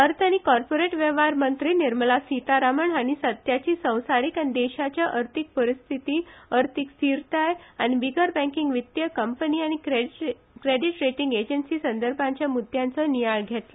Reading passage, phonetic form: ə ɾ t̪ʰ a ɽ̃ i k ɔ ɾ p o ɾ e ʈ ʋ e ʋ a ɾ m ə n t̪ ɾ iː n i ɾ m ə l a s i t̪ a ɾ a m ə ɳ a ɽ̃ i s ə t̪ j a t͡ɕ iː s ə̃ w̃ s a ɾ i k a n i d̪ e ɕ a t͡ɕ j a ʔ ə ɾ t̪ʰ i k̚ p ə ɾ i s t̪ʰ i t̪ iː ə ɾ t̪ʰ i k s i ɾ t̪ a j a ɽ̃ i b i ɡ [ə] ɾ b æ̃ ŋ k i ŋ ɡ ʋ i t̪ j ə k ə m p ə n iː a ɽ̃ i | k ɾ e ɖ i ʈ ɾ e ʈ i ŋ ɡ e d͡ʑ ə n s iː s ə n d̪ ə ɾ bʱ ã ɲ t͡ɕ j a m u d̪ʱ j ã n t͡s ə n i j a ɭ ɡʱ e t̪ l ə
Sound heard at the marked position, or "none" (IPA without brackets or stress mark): ə